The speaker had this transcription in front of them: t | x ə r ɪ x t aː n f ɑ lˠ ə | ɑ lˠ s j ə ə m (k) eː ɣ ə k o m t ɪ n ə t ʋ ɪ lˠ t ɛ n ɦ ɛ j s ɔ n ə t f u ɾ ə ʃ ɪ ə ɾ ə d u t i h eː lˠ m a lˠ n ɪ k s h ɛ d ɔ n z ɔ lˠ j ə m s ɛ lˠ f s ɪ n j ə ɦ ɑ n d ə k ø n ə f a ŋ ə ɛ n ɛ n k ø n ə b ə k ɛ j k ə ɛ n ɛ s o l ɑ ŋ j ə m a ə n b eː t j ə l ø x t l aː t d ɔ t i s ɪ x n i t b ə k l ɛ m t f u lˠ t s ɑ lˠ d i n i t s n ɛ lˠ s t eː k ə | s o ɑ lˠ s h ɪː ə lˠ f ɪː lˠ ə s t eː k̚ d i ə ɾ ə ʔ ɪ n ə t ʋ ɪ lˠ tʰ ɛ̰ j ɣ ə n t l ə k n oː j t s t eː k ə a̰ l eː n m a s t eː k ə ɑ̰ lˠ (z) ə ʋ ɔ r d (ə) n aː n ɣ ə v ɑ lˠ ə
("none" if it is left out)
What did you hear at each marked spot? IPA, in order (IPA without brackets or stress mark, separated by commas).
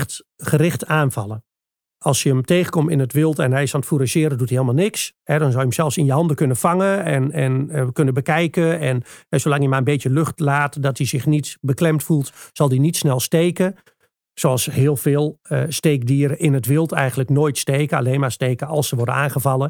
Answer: t, s, ə